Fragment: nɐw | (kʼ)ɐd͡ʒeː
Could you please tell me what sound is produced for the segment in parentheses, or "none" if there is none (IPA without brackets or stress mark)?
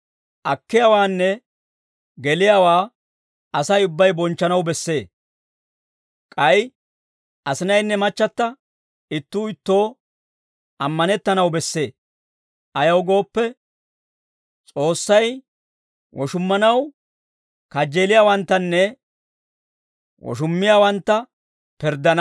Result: k